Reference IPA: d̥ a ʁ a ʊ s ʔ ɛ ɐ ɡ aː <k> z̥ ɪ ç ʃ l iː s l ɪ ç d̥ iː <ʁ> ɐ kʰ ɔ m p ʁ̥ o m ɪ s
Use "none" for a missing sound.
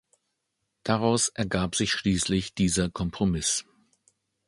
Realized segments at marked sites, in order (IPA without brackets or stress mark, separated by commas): p, z